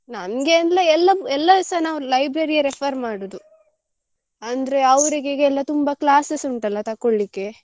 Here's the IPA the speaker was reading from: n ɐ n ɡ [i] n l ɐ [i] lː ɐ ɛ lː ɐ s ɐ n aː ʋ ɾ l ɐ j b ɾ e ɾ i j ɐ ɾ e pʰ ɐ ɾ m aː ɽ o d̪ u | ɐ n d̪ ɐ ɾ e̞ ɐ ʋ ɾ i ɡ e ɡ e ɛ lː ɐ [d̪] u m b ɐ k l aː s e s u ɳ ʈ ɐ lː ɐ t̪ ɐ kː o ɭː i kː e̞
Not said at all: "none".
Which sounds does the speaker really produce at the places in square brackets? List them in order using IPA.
e, ɛ, t̪

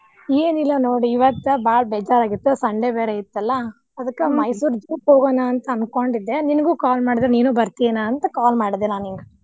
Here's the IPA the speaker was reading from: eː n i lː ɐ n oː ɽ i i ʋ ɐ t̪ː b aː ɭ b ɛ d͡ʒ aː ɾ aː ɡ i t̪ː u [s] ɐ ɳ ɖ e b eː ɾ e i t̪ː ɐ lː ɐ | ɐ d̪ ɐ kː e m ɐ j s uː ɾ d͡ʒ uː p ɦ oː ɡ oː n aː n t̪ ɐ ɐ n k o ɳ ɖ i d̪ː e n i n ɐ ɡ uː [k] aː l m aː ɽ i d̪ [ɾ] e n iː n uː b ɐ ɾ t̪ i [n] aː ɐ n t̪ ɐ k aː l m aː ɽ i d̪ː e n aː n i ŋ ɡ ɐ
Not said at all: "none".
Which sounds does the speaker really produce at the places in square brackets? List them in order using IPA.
s, k, ɾ, n

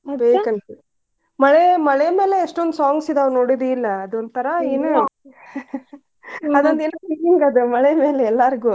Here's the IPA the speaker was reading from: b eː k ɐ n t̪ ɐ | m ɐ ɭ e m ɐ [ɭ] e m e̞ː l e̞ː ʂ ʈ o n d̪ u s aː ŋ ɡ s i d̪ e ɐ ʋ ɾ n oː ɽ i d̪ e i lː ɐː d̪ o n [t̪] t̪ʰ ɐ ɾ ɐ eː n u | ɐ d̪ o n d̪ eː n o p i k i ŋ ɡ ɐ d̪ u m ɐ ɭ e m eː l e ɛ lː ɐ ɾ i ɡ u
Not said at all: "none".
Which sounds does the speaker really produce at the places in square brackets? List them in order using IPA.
ɭ, d̪

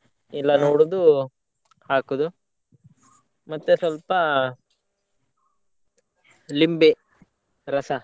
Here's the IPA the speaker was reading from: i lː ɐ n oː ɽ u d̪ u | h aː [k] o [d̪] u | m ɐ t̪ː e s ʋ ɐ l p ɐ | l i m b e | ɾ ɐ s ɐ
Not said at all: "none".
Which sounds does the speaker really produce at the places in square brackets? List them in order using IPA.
k, d̪

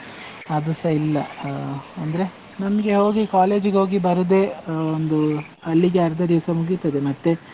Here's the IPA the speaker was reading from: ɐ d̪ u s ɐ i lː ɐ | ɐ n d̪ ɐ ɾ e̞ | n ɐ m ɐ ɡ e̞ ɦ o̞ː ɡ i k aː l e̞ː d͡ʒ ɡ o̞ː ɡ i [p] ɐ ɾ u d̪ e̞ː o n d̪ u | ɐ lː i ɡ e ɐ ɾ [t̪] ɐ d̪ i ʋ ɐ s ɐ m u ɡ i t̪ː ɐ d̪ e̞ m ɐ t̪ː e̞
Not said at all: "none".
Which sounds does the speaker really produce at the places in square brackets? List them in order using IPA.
b, d̪

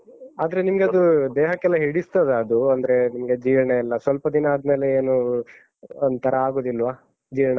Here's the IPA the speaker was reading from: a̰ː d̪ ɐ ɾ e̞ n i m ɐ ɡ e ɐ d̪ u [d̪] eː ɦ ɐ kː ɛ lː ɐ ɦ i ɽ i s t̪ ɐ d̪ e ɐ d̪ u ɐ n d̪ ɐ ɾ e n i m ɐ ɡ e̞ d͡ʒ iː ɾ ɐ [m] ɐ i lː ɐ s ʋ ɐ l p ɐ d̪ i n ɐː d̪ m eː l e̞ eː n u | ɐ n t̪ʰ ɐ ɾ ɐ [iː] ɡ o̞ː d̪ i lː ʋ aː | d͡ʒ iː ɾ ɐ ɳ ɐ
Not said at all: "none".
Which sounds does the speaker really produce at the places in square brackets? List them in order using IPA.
d̪, ɳ, aː

